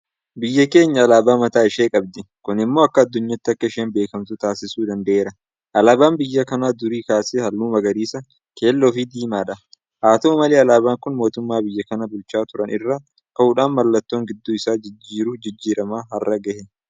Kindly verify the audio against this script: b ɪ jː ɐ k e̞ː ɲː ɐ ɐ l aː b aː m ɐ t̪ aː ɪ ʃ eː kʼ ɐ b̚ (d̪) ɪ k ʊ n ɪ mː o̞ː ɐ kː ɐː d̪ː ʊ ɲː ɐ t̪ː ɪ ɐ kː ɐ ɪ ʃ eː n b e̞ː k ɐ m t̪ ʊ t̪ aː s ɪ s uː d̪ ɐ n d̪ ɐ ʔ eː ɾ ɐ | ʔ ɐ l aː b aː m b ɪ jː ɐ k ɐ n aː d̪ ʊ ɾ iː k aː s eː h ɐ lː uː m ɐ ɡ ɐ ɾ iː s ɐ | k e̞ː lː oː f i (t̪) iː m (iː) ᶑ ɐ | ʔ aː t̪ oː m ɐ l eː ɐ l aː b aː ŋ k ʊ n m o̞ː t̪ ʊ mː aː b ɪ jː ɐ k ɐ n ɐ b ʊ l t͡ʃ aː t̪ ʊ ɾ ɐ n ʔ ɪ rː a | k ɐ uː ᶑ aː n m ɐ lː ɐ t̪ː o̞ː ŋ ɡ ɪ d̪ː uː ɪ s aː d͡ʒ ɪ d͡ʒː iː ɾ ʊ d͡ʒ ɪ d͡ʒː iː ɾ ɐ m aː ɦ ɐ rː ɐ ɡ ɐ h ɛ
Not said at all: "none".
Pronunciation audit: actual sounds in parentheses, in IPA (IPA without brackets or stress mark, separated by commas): d̪, d̪, aː